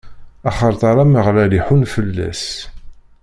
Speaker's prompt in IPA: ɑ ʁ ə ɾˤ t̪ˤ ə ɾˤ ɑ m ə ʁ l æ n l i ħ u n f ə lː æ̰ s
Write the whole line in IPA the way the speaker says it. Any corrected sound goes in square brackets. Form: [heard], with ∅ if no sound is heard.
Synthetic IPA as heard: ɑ [χ] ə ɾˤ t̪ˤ [ɑ] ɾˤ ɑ m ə ʁ l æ [∅] l i ħ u n f ə lː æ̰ s